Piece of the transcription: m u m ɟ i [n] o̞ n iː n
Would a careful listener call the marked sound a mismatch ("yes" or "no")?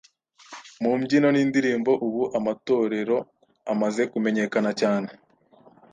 no